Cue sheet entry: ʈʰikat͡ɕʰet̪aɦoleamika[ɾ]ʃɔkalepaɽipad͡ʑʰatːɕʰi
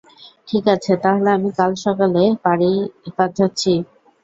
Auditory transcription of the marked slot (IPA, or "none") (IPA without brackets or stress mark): l